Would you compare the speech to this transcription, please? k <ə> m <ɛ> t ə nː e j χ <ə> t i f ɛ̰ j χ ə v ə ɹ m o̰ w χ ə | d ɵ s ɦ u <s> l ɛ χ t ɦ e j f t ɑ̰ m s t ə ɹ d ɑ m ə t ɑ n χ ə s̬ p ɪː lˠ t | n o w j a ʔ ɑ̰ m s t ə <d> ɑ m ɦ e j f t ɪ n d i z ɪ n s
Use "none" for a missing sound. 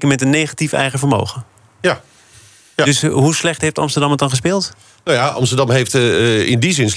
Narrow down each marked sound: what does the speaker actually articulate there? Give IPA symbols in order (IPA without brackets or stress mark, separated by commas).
ə, ɛ, a, s, d